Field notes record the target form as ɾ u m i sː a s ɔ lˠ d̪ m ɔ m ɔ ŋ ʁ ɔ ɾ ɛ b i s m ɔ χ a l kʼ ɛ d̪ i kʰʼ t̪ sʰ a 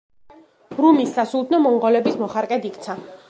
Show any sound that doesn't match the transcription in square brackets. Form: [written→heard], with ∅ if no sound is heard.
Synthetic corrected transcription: ɾ u m i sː a s [ɔ→u] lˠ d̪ [m→n] ɔ m ɔ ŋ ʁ ɔ [ɾ→l] ɛ b i s m ɔ χ a [l→ɾ] kʼ ɛ d̪ i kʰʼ t̪ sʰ a